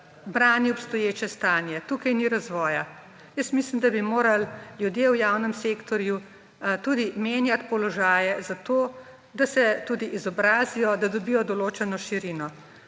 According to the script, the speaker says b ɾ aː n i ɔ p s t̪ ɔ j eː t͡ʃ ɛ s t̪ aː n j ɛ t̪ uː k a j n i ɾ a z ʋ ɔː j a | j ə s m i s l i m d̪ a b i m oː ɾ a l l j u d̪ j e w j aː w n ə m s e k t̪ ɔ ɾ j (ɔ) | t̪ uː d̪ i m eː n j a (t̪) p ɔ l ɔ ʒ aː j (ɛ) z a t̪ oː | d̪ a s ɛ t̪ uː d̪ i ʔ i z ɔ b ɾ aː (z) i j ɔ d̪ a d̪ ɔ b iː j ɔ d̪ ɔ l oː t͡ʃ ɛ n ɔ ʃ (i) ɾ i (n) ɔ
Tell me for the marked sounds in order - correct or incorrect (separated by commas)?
incorrect, correct, correct, correct, correct, correct